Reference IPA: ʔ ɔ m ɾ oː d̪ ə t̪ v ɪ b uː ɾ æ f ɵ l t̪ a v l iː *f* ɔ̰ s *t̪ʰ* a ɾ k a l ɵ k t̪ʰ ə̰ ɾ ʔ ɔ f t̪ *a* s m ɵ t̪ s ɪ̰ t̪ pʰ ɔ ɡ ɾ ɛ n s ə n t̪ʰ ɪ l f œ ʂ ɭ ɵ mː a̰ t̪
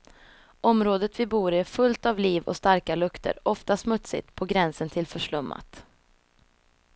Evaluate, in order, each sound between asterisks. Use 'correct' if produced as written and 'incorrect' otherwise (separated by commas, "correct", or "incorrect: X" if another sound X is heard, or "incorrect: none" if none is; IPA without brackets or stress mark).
incorrect: v, incorrect: t̪, correct